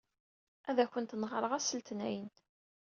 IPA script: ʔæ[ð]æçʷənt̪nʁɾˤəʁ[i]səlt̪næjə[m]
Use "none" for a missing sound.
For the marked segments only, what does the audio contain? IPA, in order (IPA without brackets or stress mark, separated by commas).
ð, æ, n